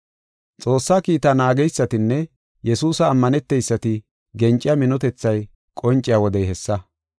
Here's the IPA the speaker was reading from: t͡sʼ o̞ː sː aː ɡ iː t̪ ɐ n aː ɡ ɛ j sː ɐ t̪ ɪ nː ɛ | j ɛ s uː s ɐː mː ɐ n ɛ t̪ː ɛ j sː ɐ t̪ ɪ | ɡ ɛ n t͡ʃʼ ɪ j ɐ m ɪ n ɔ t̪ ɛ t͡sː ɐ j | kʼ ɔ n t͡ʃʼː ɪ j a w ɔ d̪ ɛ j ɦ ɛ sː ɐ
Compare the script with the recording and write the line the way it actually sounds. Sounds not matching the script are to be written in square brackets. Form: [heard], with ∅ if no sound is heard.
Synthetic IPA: t͡sʼ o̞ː sː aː [k] iː t̪ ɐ n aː ɡ ɛ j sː ɐ t̪ ɪ nː ɛ | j ɛ s uː s ɐː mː ɐ n ɛ t̪ː ɛ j sː ɐ t̪ ɪ | ɡ ɛ n t͡ʃʼ ɪ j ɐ m ɪ n ɔ t̪ ɛ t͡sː ɐ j | kʼ ɔ n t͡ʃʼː ɪ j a w ɔ d̪ ɛ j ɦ ɛ sː ɐ